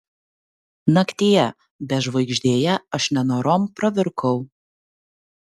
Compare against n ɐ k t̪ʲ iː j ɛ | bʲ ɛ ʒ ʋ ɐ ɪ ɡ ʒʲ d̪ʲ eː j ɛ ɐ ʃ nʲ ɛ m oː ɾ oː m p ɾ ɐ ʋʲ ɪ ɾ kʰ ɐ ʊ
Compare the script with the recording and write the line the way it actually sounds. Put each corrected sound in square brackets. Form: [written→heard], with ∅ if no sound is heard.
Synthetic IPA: n ɐ k t̪ʲ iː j ɛ | bʲ ɛ ʒ ʋ ɐ ɪ ɡ ʒʲ d̪ʲ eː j ɛ ɐ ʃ nʲ ɛ [m→n] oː ɾ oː m p ɾ ɐ ʋʲ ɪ ɾ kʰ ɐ ʊ